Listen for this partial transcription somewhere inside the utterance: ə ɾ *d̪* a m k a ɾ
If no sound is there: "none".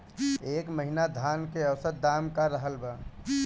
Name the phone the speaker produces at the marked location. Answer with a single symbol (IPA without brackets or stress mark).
d̪